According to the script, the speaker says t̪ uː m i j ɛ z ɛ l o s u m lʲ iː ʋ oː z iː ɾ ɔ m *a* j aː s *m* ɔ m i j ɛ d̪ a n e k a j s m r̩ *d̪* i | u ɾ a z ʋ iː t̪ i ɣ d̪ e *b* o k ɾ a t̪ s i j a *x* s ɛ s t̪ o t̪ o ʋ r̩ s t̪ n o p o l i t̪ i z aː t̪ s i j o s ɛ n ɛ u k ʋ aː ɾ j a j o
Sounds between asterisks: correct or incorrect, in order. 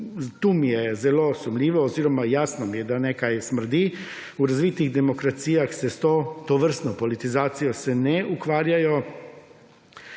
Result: correct, incorrect: n, correct, incorrect: m, correct

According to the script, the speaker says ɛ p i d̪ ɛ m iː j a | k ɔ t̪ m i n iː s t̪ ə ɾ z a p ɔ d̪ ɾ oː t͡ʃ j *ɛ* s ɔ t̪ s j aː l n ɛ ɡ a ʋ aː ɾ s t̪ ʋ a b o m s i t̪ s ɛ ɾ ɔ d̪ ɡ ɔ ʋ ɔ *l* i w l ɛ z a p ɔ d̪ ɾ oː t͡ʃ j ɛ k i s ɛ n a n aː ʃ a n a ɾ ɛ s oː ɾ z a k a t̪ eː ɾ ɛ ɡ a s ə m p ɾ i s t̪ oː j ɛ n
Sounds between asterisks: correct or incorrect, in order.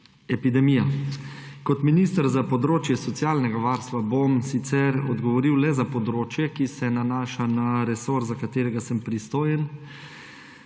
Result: correct, incorrect: ɾ

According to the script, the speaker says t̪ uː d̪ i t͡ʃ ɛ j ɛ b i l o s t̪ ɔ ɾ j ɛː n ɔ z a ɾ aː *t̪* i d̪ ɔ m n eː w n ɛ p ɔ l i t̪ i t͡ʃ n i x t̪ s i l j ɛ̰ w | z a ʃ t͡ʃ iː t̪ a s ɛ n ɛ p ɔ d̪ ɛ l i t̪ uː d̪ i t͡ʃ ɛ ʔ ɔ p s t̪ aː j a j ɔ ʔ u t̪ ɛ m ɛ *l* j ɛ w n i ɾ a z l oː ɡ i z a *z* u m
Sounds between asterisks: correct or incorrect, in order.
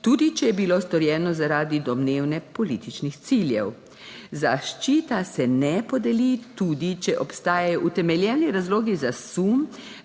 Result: incorrect: d̪, correct, incorrect: s

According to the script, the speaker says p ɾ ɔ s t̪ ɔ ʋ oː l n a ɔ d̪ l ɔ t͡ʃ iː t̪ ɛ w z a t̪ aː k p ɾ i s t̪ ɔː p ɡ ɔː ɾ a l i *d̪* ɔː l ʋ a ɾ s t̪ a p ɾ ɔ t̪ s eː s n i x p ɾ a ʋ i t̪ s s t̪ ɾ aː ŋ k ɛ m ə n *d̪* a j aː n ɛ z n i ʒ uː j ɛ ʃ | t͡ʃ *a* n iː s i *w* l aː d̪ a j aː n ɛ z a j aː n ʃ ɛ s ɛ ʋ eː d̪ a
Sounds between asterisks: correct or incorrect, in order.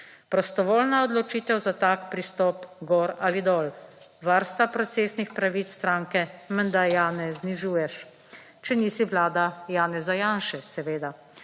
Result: correct, correct, incorrect: ɛ, incorrect: ʋ

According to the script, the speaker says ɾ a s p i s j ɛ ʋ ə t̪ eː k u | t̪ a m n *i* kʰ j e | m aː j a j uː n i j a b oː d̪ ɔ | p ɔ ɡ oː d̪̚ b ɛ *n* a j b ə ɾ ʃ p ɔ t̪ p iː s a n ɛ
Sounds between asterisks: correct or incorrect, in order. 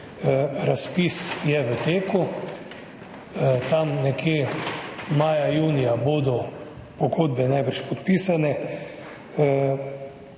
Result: incorrect: ɛ, correct

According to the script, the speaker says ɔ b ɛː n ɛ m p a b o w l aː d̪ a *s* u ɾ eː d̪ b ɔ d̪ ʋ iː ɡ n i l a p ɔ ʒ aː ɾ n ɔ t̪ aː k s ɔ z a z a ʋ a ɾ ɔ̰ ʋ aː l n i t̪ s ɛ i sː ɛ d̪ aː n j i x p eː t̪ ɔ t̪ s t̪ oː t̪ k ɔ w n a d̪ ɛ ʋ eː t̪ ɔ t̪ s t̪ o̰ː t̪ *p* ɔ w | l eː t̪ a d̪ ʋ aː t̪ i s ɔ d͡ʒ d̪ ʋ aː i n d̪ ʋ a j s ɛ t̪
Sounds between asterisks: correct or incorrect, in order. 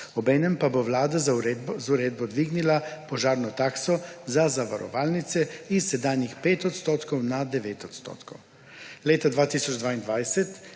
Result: incorrect: z, incorrect: k

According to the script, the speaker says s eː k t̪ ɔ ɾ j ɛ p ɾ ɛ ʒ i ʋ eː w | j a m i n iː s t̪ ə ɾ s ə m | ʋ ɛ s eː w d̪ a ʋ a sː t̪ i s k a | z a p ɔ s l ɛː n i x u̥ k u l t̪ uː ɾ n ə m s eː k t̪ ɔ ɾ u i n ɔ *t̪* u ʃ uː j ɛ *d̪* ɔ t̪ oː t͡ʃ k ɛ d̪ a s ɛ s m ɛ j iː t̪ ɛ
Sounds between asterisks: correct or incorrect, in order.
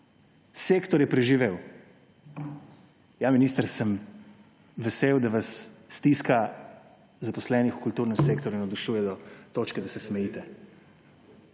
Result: incorrect: d̪, correct

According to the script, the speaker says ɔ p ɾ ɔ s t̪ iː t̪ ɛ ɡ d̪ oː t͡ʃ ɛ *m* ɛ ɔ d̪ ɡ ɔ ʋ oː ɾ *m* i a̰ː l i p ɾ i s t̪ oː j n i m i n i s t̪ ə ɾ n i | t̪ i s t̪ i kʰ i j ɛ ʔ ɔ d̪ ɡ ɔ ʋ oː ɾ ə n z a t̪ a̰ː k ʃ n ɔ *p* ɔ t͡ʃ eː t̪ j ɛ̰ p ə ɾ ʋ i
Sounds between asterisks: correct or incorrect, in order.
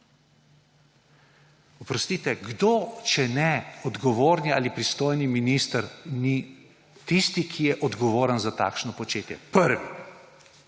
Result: incorrect: n, incorrect: n, correct

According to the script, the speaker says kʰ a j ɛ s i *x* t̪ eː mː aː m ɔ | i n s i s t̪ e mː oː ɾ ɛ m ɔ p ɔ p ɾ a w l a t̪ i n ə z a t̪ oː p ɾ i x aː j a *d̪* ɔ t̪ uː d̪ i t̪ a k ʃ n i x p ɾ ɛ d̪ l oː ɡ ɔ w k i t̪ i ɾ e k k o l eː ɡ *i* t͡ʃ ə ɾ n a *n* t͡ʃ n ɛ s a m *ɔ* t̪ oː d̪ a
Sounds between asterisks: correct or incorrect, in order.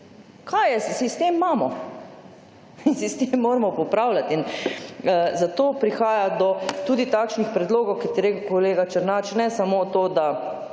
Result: incorrect: s, correct, incorrect: a, incorrect: none, incorrect: o

